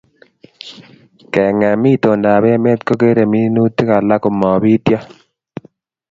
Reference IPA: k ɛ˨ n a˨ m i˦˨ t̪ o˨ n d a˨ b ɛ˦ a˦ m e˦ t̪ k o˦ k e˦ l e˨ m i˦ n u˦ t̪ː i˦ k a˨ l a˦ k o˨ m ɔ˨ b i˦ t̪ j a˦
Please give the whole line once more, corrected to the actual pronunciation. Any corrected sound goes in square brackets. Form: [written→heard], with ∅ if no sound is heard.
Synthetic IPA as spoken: k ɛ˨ [n→ŋ] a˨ m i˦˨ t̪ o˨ n d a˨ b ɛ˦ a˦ m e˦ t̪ k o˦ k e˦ [l→ɾ] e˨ m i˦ n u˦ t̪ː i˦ k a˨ l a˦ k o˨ m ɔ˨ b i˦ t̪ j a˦